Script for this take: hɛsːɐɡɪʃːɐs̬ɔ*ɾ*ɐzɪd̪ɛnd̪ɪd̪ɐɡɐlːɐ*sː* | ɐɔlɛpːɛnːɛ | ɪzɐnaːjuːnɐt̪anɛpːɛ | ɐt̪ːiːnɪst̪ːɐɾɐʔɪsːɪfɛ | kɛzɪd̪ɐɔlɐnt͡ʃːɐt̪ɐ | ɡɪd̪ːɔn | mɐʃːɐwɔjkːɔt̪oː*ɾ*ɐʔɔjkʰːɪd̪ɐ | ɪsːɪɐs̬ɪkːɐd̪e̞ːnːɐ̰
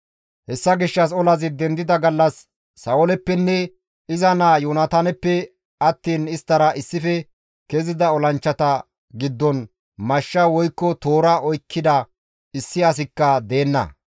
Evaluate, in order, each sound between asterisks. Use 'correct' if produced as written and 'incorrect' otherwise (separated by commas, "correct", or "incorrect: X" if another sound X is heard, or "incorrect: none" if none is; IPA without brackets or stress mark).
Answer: incorrect: l, correct, correct